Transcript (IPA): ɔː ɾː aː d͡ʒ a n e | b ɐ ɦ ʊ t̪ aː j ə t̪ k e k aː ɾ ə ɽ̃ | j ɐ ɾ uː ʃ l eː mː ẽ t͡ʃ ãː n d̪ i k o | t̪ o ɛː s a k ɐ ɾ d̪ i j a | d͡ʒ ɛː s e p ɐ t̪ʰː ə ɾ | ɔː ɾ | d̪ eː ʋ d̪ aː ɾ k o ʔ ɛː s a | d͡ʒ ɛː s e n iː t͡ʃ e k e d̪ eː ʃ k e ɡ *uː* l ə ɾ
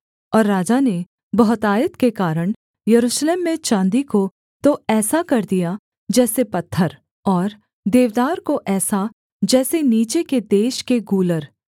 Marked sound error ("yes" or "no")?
no